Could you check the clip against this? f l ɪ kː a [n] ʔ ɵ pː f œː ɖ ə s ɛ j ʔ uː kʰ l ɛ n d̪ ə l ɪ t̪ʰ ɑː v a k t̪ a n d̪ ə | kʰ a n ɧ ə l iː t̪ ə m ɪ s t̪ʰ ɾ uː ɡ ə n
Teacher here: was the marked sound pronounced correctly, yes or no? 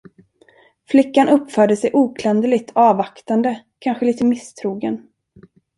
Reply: yes